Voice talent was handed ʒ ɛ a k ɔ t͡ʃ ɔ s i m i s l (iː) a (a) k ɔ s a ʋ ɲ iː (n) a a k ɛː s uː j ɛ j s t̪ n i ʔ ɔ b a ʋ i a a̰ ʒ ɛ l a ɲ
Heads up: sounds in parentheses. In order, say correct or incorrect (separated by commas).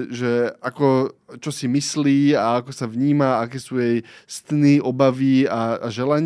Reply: correct, correct, incorrect